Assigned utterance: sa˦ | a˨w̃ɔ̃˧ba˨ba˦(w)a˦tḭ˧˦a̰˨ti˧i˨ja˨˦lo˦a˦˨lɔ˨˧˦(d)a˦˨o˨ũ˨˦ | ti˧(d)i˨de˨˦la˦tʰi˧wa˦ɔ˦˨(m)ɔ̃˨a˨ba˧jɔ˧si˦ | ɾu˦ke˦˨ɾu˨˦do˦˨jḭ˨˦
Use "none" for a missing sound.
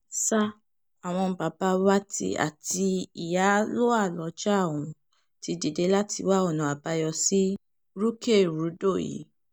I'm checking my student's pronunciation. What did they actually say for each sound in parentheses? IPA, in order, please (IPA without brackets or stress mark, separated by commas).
w, d͡ʒ, d, n